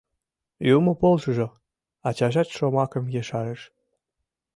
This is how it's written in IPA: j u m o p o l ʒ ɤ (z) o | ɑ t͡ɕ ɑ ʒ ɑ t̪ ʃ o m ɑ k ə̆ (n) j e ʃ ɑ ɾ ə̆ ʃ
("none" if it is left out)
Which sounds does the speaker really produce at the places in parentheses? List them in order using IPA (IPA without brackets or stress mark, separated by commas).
ʒ, m